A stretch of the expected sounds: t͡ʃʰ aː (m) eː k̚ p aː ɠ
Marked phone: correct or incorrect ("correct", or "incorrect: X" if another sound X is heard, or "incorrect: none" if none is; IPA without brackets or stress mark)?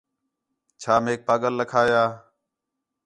correct